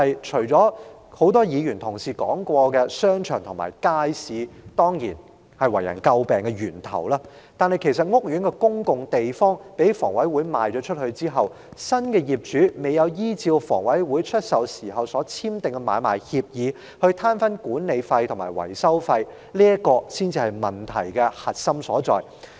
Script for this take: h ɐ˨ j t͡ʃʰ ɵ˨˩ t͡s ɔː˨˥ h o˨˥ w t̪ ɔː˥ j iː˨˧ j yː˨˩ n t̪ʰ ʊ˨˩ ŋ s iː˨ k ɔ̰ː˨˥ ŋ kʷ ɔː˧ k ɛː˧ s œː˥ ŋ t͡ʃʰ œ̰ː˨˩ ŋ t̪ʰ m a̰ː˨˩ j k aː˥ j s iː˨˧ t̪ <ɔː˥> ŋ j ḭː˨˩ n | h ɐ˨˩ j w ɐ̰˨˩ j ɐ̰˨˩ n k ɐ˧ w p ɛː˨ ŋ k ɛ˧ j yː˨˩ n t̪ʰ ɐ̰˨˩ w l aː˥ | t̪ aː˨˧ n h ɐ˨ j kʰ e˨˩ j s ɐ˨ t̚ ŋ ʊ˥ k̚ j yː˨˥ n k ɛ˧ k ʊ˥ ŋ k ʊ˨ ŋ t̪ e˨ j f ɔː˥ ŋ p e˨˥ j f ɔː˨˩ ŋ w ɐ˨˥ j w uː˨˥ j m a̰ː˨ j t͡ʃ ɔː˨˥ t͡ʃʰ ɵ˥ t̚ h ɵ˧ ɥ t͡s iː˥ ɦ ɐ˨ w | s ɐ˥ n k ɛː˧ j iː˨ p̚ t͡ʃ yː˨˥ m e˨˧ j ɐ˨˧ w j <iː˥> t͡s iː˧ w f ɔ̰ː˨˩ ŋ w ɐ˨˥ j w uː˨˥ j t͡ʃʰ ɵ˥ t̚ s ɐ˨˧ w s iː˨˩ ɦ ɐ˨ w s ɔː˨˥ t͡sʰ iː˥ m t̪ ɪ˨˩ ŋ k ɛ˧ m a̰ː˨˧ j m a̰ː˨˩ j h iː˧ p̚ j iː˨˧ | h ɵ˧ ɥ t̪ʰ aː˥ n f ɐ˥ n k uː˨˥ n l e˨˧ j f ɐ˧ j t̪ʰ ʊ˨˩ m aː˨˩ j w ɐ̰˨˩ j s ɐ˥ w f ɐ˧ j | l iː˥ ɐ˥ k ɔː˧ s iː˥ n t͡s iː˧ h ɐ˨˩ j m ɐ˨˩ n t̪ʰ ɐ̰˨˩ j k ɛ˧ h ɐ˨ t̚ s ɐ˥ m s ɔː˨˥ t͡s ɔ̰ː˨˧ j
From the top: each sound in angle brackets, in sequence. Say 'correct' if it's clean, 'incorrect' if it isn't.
correct, correct

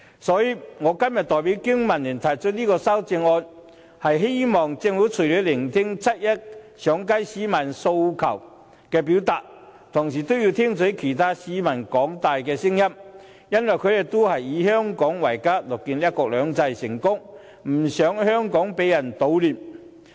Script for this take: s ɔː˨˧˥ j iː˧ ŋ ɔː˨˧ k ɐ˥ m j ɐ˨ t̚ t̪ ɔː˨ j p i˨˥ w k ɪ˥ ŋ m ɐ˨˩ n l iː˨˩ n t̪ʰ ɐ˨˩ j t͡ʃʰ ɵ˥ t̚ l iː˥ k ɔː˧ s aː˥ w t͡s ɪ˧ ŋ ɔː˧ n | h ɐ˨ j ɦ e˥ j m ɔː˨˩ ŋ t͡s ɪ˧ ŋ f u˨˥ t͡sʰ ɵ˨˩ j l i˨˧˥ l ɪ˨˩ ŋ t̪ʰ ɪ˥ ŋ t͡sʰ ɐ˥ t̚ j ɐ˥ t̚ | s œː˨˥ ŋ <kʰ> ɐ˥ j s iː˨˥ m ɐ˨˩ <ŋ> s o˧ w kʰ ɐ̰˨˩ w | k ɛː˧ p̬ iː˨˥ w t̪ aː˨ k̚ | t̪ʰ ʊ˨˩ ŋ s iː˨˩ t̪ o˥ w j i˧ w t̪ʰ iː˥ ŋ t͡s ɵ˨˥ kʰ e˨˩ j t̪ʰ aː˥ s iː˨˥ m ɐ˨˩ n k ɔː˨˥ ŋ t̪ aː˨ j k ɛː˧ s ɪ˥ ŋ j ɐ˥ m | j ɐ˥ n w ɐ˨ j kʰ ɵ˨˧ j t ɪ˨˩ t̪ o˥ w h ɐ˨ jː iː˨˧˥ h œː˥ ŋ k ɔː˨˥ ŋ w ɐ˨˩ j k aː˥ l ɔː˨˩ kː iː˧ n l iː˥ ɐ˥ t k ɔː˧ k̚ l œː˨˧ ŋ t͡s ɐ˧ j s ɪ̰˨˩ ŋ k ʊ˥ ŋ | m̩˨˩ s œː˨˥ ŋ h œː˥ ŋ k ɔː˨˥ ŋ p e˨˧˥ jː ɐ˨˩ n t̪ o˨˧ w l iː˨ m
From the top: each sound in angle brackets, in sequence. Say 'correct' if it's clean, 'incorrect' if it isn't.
incorrect: k, incorrect: n

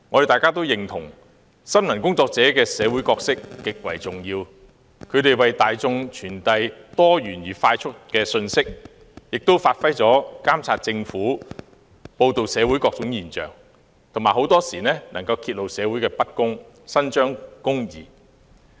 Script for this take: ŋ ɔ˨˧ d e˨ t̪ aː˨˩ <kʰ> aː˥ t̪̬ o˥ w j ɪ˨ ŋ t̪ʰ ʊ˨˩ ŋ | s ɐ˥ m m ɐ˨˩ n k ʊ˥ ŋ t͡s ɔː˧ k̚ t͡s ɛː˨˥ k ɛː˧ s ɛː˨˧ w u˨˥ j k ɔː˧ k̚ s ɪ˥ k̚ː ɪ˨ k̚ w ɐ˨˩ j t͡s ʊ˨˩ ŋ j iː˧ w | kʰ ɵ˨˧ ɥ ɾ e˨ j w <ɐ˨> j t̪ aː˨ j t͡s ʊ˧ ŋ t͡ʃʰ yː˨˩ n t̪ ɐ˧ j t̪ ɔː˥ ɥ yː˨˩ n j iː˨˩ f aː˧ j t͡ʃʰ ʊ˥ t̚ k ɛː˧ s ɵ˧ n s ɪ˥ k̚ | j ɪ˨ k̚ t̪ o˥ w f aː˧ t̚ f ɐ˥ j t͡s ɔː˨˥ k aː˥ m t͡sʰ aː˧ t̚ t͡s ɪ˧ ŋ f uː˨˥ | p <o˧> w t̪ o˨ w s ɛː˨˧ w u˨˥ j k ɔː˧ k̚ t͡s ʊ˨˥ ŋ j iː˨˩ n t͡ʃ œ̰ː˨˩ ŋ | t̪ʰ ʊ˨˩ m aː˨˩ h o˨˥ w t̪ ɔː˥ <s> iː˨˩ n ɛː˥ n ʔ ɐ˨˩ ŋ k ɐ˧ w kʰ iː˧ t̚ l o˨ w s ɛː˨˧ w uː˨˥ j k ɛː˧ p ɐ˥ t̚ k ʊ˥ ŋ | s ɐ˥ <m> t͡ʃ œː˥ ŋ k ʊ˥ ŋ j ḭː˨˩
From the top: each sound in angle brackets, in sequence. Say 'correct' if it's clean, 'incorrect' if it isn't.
incorrect: k, correct, correct, correct, incorrect: n

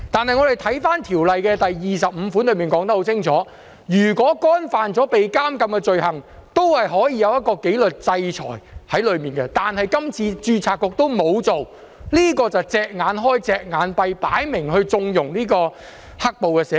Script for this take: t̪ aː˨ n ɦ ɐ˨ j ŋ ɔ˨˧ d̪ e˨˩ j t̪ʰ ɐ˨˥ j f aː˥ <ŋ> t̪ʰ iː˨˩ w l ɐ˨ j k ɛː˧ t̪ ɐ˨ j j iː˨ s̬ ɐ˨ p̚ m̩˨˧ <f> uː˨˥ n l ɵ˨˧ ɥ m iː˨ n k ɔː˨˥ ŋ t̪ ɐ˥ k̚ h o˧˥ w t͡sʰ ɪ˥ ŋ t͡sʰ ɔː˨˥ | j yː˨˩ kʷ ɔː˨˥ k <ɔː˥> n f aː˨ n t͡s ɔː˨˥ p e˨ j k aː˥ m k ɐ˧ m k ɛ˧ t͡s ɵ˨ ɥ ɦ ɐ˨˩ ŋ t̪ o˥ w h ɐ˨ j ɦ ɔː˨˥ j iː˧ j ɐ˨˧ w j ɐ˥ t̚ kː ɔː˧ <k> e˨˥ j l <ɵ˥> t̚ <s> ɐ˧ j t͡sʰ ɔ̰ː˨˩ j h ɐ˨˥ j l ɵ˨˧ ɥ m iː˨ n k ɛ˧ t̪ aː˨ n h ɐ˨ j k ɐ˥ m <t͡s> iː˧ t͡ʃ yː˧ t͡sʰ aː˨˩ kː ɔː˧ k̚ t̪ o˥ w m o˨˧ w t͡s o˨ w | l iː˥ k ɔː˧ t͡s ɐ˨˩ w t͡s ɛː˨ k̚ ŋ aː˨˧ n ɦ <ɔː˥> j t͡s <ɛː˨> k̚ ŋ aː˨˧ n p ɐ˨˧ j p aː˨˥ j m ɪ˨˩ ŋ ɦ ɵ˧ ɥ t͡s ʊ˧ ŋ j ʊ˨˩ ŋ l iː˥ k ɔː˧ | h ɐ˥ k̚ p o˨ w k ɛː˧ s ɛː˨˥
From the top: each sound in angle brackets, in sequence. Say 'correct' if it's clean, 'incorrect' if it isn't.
incorrect: n, correct, correct, correct, incorrect: ɵ˨, incorrect: t͡s, incorrect: t͡sʰ, correct, correct

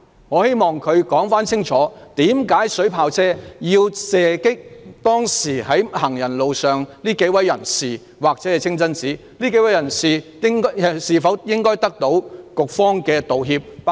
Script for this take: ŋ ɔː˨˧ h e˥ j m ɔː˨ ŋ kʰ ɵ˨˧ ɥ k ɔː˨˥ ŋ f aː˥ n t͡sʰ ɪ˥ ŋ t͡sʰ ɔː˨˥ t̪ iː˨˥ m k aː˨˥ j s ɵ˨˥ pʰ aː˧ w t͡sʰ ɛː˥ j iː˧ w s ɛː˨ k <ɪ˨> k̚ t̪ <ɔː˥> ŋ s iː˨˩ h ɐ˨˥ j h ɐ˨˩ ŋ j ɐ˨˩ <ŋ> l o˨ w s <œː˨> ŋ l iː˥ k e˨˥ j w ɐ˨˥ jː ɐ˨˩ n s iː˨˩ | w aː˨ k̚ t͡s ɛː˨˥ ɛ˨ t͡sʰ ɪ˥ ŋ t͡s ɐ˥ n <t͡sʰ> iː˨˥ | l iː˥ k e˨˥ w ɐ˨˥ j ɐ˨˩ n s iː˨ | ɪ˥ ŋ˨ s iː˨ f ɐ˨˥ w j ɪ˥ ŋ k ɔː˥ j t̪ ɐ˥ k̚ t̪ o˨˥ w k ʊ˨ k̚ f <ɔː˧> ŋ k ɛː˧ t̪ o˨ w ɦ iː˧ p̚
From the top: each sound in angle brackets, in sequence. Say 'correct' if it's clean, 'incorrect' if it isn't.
incorrect: ɪ˥, correct, incorrect: n, correct, incorrect: t͡s, incorrect: ɔː˥

